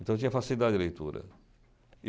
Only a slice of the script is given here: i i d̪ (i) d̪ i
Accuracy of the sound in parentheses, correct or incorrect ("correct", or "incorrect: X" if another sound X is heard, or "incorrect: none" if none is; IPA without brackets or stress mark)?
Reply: incorrect: a